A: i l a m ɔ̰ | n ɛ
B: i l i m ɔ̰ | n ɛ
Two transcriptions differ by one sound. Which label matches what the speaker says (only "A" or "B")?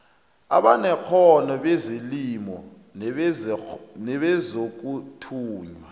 B